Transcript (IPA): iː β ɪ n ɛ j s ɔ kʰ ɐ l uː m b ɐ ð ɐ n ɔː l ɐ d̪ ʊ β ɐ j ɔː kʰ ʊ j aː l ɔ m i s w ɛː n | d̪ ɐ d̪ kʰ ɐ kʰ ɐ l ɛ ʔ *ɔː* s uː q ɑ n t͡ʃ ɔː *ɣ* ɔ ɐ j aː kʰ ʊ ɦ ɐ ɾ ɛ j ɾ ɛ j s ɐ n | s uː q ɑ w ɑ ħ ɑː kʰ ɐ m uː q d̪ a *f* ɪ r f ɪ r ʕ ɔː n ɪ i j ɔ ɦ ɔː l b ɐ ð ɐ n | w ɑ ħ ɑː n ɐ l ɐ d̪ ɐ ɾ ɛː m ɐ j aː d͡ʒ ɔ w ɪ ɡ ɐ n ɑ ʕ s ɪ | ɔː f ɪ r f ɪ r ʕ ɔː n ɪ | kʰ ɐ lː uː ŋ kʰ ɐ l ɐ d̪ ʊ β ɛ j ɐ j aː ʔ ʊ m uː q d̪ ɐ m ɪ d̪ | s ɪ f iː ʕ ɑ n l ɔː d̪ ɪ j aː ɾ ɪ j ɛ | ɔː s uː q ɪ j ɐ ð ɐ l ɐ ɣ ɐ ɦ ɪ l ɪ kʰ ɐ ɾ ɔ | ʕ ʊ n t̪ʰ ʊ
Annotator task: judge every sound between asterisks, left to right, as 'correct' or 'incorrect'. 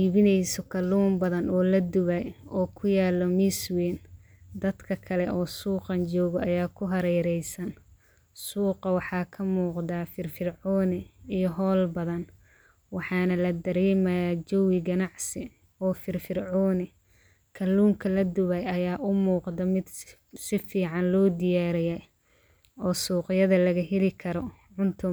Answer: correct, correct, correct

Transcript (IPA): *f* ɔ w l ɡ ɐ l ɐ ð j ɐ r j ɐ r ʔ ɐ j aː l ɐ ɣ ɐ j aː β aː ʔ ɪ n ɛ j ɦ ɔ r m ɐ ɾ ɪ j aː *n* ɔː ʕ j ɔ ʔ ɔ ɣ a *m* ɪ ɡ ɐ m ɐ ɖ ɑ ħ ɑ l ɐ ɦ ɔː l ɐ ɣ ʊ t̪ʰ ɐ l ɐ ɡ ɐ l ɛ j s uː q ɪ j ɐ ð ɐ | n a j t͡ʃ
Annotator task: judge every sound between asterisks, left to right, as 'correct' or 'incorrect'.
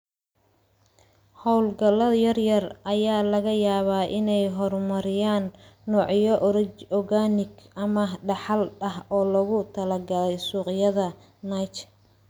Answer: incorrect: h, incorrect: nː, incorrect: n

